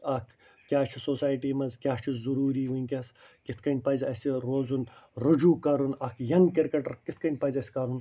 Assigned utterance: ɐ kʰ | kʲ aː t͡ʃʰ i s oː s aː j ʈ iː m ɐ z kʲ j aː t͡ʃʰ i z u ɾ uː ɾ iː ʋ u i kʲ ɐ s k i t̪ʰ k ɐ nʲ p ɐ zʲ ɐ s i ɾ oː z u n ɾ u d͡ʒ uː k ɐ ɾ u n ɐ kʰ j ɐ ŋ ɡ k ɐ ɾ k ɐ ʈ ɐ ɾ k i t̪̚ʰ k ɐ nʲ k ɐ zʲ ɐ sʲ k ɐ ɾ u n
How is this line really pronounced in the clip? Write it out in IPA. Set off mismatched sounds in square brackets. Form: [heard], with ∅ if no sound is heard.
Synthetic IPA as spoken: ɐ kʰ | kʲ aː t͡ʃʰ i s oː s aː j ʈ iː m ɐ z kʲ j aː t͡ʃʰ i z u ɾ uː ɾ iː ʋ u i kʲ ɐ s k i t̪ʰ k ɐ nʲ p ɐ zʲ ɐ s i ɾ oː z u n ɾ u d͡ʒ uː k ɐ ɾ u n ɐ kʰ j ɐ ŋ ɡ k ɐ ɾ k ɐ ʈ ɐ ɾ k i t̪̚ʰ k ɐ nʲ [p] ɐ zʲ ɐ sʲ k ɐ ɾ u n

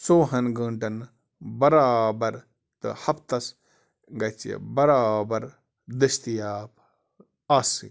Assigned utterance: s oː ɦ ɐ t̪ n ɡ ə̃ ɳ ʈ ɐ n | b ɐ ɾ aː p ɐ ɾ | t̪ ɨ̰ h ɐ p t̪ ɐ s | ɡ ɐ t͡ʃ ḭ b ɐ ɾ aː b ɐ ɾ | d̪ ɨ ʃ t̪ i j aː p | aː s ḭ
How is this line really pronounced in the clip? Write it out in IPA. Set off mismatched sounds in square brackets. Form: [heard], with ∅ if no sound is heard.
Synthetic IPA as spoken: s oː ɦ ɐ [∅] n ɡ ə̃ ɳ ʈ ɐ n | b ɐ ɾ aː [b] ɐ ɾ | t̪ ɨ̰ h ɐ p t̪ ɐ s | ɡ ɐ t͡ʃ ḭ b ɐ ɾ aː b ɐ ɾ | d̪ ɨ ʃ t̪ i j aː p | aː s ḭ

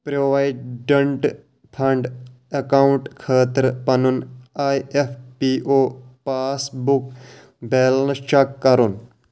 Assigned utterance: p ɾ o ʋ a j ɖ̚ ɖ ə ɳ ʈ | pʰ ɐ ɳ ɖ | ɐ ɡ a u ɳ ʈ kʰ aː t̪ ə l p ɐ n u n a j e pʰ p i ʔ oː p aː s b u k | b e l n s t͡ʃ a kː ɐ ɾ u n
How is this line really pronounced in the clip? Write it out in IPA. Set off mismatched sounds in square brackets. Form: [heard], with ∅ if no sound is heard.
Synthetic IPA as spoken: p ɾ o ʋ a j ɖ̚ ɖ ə ɳ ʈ | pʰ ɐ ɳ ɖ | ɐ [k] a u ɳ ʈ kʰ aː t̪ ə [ɾ] p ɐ n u n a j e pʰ p i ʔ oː p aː s b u k | b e l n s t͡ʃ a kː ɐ ɾ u n

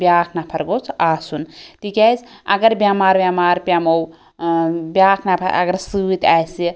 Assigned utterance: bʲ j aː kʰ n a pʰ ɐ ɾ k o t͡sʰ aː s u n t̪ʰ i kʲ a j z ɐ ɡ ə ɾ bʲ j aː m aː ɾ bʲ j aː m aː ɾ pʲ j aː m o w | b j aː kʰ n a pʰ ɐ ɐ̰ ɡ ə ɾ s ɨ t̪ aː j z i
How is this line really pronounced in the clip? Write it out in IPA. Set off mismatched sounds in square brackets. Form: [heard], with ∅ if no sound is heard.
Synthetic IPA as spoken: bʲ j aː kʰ n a pʰ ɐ ɾ [ɡ] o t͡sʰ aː s u n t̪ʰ i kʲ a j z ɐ ɡ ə ɾ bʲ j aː m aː ɾ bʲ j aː m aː ɾ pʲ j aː m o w | b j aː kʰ n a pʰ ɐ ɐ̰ ɡ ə ɾ s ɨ t̪ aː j [s] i

